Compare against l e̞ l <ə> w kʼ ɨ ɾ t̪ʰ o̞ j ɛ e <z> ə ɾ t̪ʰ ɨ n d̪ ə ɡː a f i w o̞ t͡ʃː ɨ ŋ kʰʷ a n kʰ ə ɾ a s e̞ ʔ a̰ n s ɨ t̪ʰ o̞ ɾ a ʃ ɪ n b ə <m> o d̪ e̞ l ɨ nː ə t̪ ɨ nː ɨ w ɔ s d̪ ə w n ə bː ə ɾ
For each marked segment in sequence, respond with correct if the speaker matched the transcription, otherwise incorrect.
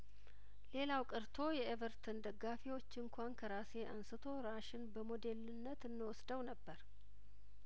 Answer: incorrect, incorrect, correct

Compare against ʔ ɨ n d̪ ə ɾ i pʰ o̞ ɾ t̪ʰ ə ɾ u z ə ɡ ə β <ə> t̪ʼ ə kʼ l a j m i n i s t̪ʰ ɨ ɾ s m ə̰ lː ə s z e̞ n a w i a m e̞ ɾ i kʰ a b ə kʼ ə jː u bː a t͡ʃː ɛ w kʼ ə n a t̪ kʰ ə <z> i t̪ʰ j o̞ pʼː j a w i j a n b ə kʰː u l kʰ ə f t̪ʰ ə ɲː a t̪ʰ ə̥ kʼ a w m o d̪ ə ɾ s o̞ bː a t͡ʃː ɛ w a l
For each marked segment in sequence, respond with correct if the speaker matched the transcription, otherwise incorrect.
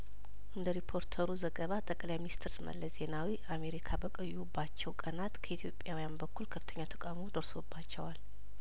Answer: incorrect, incorrect

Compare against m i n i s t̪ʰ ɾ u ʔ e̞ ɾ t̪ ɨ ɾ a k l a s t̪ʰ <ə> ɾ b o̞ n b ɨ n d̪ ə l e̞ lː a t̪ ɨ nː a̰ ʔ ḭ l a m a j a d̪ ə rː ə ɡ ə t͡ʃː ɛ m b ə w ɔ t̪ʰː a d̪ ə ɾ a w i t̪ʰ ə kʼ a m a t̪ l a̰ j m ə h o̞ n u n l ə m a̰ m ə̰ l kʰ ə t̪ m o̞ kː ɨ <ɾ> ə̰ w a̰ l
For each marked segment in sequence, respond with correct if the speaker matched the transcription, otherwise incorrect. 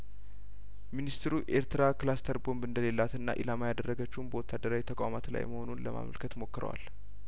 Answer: correct, correct

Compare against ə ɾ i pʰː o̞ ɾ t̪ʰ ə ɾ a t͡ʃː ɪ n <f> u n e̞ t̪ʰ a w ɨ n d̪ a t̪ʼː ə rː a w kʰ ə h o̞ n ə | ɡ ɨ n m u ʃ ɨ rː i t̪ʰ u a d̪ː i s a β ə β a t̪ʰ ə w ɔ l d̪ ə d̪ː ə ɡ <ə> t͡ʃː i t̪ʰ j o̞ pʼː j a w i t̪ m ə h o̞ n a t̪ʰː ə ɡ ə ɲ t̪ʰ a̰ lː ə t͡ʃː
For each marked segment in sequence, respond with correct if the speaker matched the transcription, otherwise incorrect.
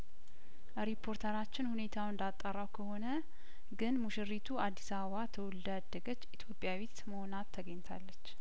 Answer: incorrect, correct

